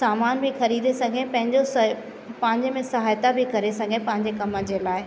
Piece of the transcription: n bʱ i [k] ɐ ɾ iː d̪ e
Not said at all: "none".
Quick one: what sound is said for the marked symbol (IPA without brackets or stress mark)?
x